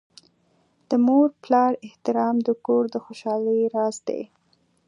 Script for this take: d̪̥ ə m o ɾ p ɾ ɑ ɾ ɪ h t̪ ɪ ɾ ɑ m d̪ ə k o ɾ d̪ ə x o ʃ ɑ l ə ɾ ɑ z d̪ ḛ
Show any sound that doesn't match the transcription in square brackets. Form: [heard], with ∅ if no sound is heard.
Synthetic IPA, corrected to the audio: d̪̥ ə m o ɾ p [l] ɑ ɾ ɪ h t̪ ɪ ɾ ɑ m d̪ ə k o ɾ d̪ ə x o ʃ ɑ l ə ɾ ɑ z d̪ ḛ